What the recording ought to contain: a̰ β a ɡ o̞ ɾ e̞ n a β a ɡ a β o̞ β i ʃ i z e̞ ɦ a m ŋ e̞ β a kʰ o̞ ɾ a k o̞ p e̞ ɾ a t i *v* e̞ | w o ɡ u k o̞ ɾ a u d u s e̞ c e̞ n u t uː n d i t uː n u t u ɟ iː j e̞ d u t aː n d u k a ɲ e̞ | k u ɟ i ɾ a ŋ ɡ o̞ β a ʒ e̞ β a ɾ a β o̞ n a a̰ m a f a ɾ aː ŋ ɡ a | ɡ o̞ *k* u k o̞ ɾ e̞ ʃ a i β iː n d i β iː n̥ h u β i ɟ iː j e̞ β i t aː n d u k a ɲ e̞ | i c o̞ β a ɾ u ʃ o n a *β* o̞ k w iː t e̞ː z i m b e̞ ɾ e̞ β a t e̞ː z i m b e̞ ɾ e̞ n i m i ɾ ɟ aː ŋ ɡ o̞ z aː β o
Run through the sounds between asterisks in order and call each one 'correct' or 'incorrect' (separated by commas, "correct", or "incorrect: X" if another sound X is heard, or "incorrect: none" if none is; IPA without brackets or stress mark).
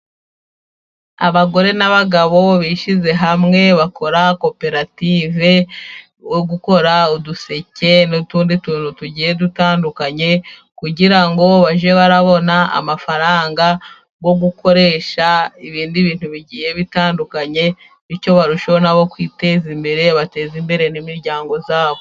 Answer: correct, incorrect: ɡ, correct